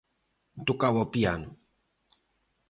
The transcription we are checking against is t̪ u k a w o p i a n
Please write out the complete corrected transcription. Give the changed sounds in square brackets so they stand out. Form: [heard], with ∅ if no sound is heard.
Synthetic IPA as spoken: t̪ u k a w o p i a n